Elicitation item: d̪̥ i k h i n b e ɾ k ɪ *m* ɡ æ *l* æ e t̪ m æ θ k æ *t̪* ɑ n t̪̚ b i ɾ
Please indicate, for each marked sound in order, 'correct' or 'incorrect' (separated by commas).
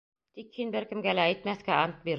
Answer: correct, correct, incorrect